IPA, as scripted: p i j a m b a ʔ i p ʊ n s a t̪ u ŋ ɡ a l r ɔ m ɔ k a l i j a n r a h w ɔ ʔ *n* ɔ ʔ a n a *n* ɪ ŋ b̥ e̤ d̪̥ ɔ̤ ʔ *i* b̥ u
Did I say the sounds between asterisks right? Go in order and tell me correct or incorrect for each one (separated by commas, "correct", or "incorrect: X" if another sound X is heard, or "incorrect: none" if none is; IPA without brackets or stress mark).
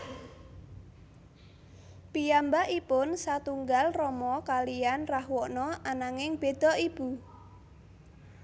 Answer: correct, incorrect: ŋ, correct